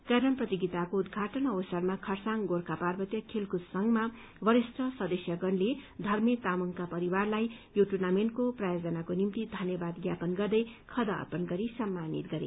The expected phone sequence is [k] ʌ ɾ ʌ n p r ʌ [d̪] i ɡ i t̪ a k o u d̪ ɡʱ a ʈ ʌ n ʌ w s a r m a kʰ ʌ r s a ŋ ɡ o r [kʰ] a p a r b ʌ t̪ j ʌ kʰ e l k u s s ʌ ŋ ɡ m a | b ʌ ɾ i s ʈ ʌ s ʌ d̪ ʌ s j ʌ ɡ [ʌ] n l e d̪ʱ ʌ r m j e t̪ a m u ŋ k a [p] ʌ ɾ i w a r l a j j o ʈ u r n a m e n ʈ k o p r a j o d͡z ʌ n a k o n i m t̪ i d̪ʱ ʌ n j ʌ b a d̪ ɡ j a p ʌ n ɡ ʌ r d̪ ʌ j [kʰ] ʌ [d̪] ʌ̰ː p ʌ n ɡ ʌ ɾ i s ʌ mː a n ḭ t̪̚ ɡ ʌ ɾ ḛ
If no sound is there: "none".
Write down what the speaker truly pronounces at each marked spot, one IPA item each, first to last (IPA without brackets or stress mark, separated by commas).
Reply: k, t̪, k, ʌ, p, kʰ, d̪